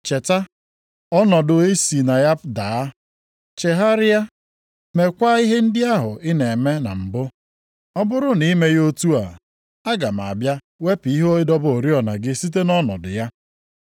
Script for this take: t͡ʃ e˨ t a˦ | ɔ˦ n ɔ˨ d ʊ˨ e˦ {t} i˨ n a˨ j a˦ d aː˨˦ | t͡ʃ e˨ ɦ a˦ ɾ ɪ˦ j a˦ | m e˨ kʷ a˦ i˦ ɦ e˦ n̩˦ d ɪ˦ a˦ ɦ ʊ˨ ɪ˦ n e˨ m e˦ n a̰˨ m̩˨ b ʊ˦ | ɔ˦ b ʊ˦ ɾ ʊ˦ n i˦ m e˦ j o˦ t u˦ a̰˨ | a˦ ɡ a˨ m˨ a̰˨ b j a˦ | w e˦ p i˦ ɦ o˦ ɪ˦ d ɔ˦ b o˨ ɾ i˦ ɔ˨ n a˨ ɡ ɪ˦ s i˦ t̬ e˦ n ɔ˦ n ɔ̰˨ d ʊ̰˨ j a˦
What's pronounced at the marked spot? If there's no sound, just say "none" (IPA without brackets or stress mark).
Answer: s